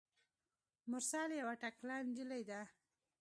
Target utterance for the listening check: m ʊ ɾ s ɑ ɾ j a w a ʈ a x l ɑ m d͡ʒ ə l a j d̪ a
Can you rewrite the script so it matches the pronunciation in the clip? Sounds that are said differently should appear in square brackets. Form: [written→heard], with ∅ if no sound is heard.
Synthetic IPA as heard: m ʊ ɾ s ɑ [ɾ→l] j a w a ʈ a [x→k] l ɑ [m→n] d͡ʒ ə l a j d̪ a

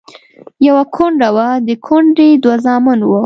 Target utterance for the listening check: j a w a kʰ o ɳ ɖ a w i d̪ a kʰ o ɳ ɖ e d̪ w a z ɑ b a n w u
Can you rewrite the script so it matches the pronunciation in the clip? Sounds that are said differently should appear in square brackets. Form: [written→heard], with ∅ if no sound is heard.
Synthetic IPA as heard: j a w a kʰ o ɳ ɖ a w [i→a] d̪ [a→ə] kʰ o ɳ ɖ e d̪ w a z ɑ [b→m] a n w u

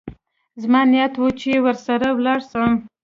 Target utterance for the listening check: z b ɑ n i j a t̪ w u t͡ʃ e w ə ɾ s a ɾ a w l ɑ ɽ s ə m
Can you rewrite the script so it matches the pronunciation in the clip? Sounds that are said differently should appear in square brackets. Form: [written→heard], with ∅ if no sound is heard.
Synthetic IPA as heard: z [b→m] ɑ n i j a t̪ w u t͡ʃ e w ə ɾ s a ɾ a w l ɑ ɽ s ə m

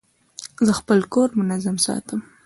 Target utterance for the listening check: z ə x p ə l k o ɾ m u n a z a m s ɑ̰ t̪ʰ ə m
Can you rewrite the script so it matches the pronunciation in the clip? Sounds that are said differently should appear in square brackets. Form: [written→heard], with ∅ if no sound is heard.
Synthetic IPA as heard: z ə x p ə l k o ɾ m [u→ʊ] n a z a m s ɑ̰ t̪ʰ ə m

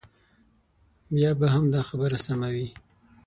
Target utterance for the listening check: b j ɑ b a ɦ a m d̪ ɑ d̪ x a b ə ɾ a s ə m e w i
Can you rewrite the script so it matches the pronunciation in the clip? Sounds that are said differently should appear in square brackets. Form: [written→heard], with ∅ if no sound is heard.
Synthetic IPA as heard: b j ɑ b a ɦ a m d̪ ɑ [d̪→∅] x a b ə ɾ a s [ə→a] m [e→a] w i

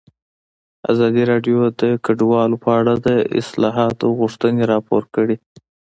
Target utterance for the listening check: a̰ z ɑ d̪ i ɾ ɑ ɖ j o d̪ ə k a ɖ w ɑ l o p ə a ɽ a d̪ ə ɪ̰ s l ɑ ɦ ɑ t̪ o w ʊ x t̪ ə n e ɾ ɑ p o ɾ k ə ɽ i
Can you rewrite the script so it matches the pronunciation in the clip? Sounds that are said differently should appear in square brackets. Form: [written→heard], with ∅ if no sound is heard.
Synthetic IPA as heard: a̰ z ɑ d̪ i ɾ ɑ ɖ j o d̪ ə k a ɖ w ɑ l o p ə a ɽ a d̪ ə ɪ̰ s l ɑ ɦ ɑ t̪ o [w→ɣ] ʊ [x→ʂ] t̪ ə n e ɾ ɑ p o ɾ k ə ɽ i

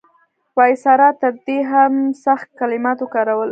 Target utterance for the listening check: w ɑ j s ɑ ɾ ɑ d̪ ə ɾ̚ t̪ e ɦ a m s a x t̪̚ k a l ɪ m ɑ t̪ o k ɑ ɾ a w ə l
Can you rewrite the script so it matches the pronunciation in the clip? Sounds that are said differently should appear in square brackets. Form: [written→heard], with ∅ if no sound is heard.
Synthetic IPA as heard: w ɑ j s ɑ ɾ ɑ [d̪→t̪] ə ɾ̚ [t̪→d̪] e ɦ a m s a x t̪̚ k a l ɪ m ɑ t̪ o k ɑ ɾ a w ə l

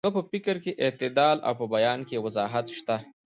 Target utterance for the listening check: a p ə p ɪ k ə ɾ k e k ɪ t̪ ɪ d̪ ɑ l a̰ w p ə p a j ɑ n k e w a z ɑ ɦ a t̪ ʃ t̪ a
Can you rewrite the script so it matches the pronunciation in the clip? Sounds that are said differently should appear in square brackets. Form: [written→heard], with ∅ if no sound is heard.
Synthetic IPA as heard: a p ə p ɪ k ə ɾ k e [k→ʔ] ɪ t̪ ɪ d̪ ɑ l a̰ w p ə [p→b] a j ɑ n k e w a z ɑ ɦ a t̪ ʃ t̪ a

